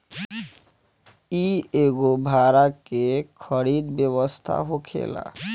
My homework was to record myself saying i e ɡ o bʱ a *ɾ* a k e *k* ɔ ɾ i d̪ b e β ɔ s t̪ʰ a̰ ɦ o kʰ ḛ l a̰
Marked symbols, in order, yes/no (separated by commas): yes, no